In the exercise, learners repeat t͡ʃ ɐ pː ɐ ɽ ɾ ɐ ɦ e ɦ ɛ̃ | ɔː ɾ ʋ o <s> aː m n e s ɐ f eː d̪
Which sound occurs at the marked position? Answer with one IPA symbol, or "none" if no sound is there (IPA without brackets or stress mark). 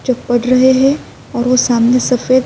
s